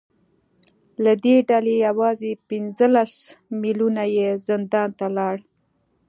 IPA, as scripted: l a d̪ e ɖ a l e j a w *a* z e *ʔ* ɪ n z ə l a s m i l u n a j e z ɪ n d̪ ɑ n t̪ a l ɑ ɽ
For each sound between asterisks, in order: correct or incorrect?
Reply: incorrect, incorrect

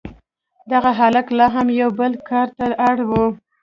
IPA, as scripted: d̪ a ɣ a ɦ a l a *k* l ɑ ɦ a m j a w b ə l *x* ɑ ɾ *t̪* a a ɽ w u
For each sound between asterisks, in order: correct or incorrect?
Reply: correct, incorrect, correct

